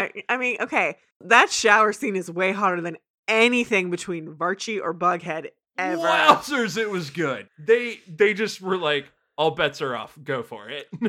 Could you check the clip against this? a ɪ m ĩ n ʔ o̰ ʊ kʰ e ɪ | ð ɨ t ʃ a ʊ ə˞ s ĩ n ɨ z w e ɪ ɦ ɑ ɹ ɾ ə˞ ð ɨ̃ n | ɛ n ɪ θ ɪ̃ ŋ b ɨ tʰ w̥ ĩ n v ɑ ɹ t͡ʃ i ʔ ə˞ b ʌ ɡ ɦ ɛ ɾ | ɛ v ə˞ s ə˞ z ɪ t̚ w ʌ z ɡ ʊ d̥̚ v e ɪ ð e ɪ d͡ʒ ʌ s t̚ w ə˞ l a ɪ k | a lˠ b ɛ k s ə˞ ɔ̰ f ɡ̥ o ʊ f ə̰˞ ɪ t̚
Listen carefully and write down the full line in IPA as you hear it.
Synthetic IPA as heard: a ɪ m ĩ n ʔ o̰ ʊ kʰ e ɪ | ð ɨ t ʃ a ʊ ə˞ s ĩ n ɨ z w e ɪ ɦ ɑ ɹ ɾ ə˞ ð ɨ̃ n | ɛ n i θ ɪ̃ ŋ b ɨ tʰ w̥ ĩ n v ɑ ɹ t͡ʃ i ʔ ə˞ b ʌ ɡ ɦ ɛ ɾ | ɛ v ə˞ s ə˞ z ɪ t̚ w ʌ z ɡ ʊ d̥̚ ð e ɪ ð e ɪ d͡ʒ ʌ s t̚ w ə˞ l a ɪ k | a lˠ b ɛ t s ə˞ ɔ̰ f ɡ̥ o ʊ f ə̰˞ ɪ t̚